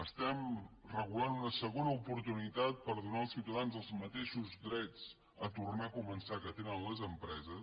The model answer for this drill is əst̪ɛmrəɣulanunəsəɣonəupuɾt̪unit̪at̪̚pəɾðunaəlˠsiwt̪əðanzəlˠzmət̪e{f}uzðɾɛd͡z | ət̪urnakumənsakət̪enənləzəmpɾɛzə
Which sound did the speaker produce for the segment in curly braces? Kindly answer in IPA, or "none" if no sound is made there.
ʃ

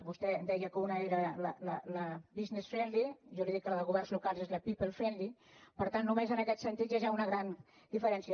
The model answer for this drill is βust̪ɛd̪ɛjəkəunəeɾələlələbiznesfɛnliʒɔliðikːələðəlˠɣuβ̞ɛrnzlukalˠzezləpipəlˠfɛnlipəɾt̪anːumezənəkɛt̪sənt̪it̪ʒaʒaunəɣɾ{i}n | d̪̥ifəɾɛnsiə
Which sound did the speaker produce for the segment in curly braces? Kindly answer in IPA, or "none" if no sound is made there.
a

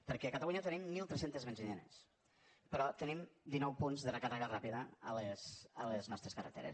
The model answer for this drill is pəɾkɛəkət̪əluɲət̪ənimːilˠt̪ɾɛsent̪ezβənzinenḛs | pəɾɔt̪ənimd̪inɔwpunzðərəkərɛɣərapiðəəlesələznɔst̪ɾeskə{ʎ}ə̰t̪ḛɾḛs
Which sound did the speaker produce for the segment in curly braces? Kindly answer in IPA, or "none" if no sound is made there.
r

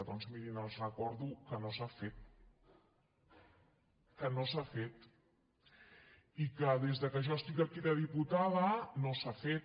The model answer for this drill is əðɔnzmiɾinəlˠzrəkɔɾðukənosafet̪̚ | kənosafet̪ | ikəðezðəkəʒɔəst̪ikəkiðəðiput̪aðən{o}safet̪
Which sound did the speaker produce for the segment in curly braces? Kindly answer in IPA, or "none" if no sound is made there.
o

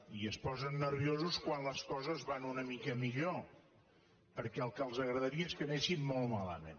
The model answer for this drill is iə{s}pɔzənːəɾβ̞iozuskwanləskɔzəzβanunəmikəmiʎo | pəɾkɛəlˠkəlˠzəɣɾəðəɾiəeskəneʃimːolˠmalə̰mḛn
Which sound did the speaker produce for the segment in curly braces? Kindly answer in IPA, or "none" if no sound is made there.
s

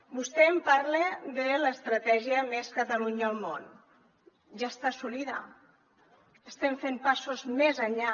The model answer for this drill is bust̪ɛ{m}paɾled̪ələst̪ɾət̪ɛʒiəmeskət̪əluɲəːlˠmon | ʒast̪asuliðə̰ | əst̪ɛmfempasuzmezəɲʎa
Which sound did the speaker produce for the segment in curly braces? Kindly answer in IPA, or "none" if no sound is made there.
m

